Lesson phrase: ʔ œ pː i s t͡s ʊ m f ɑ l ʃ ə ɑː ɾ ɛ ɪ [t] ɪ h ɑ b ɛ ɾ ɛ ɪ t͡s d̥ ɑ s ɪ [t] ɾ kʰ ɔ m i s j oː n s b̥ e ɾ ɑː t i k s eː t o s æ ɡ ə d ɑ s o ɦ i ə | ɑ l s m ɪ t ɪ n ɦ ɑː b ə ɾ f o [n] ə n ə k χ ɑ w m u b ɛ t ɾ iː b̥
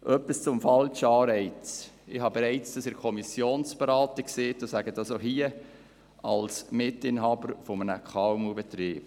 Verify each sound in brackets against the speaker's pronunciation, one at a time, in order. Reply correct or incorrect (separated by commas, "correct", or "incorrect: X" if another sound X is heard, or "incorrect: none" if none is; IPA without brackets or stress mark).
incorrect: t͡s, incorrect: none, incorrect: m